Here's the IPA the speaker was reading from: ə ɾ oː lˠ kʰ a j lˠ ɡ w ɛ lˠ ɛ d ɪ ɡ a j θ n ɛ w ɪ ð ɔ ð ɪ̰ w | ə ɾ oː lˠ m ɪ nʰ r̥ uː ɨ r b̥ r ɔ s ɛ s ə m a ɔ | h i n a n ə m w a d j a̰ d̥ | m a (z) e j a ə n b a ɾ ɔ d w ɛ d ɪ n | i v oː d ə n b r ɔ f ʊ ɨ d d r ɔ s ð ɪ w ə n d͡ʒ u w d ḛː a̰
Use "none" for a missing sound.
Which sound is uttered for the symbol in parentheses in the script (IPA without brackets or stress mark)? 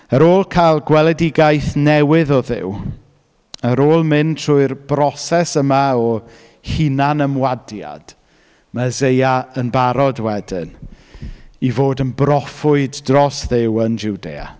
z